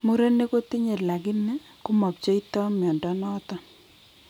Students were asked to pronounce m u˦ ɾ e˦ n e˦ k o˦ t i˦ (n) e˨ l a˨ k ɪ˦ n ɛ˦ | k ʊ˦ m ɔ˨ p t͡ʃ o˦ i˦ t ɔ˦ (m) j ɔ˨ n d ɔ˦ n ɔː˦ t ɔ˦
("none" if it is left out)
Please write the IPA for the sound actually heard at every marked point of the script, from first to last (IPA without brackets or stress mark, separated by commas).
ɲ, m